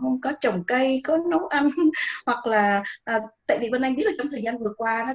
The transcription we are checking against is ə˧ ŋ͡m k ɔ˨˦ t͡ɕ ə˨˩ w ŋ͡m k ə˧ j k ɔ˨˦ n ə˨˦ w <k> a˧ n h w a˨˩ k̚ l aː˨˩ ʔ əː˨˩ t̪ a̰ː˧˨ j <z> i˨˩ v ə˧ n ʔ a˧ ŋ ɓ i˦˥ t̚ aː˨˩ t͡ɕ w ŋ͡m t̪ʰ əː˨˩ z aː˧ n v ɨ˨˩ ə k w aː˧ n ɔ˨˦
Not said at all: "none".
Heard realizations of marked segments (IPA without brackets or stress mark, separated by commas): ʔ, v